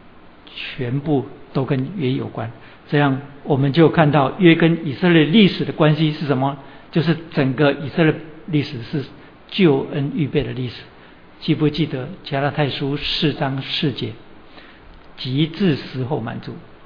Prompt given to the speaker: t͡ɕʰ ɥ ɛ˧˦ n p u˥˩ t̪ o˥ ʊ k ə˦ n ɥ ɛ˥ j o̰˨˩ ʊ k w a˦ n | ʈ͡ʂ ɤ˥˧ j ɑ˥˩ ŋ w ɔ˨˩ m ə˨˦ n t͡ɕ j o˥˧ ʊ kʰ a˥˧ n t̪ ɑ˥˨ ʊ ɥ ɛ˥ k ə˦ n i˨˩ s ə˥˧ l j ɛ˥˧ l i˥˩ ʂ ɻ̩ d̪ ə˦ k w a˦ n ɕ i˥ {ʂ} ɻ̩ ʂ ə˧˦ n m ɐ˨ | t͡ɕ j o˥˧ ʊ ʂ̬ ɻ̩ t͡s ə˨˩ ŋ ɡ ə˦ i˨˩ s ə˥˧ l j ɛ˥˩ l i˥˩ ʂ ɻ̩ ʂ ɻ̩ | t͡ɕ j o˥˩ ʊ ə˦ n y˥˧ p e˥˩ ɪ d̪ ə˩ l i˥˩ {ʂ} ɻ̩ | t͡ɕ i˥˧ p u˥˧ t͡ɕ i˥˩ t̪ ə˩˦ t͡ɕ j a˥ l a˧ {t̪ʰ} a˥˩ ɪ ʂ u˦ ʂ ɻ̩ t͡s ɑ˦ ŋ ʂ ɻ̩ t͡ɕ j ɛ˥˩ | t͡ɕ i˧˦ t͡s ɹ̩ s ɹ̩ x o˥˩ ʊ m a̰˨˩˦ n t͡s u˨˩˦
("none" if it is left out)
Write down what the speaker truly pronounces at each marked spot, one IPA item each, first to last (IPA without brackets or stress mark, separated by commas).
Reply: ʂ, ʂ, t̪ʰ